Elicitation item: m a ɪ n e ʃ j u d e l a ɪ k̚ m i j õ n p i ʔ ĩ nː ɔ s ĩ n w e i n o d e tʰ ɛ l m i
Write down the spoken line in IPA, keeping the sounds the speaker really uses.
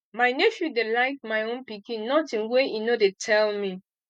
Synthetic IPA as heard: m a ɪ n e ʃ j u d e l a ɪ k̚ m a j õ n p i k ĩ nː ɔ t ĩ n w e i n o d e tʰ ɛ l m i